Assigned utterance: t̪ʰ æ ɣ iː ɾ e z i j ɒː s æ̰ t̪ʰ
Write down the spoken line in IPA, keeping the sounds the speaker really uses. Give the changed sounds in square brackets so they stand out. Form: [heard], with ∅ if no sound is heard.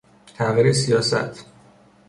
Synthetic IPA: t̪ʰ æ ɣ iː ɾ e [s] i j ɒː s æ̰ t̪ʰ